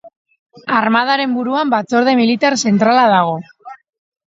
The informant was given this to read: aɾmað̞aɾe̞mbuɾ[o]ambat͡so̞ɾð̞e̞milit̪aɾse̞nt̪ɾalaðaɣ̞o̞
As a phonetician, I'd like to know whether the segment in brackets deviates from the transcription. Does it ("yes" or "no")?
yes